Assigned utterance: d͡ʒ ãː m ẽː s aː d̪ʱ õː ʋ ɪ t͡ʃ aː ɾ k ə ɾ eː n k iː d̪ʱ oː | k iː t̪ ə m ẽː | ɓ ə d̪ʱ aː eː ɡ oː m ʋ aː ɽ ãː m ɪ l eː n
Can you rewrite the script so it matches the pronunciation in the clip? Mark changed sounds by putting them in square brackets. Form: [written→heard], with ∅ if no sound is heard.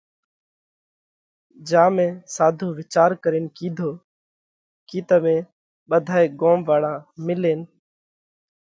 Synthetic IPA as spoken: d͡ʒ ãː m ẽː s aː d̪ʱ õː ʋ ɪ t͡ʃ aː ɾ k ə ɾ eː n k iː d̪ʱ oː | k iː t̪ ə m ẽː | ɓ ə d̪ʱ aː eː ɡ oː m ʋ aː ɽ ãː m ɪ l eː n